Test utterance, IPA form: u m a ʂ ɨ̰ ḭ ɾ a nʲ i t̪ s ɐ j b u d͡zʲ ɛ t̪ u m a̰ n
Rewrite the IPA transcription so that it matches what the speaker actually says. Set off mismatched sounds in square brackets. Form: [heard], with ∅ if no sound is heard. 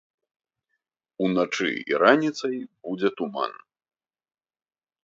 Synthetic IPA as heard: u [n] a [t͡ʂ] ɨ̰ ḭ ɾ a nʲ i t̪ s ɐ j b u d͡zʲ ɛ t̪ u m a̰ n